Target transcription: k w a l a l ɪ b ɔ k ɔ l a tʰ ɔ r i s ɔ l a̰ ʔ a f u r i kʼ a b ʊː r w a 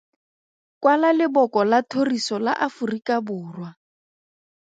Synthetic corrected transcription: k w a l a l ɪ b ɔ k ɔ l a tʰ o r i s ɔ l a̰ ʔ a f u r i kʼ a b ʊː r w a